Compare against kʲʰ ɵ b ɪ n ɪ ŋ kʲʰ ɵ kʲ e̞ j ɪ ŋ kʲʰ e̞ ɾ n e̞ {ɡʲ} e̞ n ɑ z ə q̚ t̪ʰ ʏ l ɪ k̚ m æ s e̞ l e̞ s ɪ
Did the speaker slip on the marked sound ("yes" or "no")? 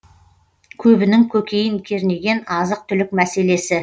no